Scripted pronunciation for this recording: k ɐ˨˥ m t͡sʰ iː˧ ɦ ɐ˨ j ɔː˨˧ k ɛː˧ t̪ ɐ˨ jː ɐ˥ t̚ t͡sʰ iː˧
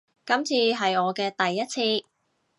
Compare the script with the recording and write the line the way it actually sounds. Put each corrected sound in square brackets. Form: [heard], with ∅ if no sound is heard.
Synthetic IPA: k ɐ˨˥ m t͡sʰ iː˧ ɦ ɐ˨ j ɔː˨˧ k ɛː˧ t̪ ɐ˨ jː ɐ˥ t̚ t͡sʰ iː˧